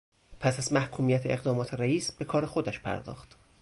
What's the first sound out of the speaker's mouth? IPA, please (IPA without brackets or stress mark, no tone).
pʰ